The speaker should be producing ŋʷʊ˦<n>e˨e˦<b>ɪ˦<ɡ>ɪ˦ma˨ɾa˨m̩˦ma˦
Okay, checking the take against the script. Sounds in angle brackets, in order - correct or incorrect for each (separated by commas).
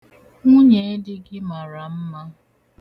incorrect, incorrect, correct